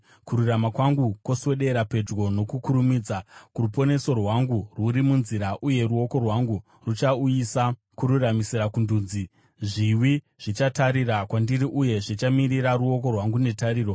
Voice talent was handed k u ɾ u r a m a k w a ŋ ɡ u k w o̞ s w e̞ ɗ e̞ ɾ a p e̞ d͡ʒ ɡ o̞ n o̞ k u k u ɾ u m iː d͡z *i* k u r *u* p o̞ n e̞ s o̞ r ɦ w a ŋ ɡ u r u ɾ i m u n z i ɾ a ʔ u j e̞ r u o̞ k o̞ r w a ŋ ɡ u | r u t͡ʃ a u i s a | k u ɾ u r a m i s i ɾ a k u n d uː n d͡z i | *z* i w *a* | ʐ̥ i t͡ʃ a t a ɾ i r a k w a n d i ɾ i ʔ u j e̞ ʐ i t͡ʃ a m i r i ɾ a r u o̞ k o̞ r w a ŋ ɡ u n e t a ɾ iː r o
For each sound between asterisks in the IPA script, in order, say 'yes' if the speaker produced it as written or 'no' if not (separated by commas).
no, yes, no, no